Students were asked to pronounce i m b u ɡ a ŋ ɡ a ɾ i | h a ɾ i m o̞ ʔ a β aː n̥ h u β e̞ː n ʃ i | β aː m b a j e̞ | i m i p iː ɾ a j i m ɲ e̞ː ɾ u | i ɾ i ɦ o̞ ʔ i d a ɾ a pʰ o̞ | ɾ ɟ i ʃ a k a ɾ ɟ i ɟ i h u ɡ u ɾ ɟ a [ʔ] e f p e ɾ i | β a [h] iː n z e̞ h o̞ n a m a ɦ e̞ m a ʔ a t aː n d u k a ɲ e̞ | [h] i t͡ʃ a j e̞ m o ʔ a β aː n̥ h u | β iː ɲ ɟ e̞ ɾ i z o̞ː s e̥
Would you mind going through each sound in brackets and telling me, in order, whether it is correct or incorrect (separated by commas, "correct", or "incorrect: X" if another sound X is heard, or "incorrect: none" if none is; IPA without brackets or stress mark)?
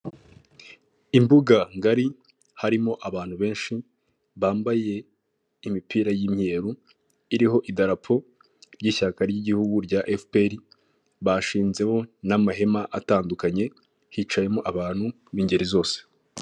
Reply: correct, incorrect: ʃ, correct